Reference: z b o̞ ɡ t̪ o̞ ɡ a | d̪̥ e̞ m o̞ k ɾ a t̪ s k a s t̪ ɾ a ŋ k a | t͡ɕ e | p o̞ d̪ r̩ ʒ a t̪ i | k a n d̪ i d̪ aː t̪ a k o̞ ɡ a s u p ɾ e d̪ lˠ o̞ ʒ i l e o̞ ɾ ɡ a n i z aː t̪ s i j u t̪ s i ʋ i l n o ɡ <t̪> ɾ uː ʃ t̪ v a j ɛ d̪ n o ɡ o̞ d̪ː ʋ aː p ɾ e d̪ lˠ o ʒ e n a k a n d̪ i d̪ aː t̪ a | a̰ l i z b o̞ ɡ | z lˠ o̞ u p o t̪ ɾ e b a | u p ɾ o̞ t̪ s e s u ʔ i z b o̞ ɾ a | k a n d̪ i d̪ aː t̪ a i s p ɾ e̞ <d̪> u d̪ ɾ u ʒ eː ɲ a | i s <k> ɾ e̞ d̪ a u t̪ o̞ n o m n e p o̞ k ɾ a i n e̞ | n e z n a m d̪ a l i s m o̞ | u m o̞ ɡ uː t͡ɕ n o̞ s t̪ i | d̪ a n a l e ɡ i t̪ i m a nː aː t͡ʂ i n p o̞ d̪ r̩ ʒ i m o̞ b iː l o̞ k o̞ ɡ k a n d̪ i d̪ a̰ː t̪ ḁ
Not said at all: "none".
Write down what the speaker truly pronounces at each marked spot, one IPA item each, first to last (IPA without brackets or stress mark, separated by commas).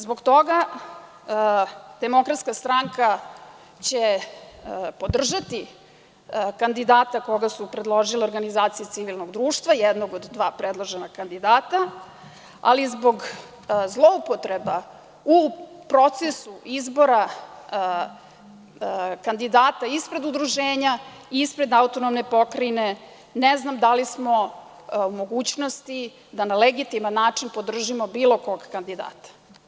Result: d̪, d̪, p